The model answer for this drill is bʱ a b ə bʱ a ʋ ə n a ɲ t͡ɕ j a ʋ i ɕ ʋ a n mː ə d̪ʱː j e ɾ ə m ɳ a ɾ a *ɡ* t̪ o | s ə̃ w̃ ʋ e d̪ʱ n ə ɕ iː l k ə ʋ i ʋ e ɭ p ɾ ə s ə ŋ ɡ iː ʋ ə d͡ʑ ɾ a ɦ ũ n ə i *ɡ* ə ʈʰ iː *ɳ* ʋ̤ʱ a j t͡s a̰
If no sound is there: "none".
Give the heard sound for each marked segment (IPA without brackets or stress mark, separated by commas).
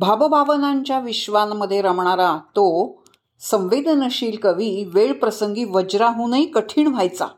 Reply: none, k, ɳ